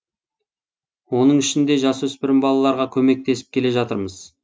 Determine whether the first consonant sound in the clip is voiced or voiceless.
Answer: voiced